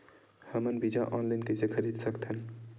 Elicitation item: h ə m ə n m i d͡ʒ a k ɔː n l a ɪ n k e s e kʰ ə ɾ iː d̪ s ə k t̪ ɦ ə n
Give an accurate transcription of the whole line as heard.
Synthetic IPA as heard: h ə m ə n b i d͡ʒ a ʔ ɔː n l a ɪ n k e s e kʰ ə ɾ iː d̪ s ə k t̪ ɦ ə n